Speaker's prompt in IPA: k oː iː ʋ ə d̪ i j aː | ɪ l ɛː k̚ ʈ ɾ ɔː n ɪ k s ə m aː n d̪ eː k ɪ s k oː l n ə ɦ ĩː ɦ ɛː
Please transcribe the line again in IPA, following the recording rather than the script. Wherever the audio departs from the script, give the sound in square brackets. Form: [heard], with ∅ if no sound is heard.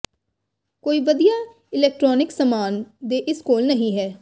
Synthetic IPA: k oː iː ʋ ə d̪ i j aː | ɪ l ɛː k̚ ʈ ɾ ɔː n ɪ k s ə m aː n d̪ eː [ʔ] ɪ s k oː l n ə ɦ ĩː ɦ ɛː